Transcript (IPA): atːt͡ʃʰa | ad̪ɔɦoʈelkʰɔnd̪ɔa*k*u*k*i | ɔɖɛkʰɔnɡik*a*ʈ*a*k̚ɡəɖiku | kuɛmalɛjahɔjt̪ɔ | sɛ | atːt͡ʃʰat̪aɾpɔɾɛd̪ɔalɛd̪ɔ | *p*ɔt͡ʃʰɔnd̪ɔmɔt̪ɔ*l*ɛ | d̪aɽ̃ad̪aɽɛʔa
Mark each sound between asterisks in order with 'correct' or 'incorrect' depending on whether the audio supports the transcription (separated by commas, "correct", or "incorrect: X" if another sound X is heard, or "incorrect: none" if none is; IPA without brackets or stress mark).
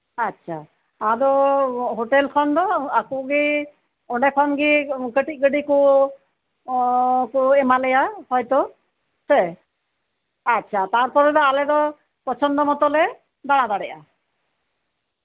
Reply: correct, incorrect: ɡ, incorrect: ə, incorrect: i, correct, correct